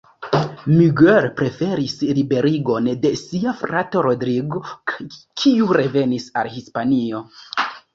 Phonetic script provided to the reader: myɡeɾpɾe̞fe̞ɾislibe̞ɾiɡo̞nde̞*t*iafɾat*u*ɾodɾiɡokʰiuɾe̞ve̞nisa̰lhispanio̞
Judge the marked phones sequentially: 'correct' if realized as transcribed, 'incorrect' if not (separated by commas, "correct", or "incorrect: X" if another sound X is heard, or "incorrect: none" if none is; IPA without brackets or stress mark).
incorrect: s, incorrect: o